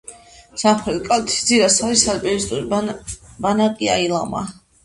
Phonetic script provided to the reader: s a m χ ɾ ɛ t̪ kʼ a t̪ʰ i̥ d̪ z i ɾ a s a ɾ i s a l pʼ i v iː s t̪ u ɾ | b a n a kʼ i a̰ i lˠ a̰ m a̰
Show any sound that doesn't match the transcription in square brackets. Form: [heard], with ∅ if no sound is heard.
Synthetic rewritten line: s a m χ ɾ ɛ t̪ kʼ a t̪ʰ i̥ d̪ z i ɾ a s a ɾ i s a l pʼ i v [i] s [t̪ʼ] u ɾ | b a n a kʼ i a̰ i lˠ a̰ m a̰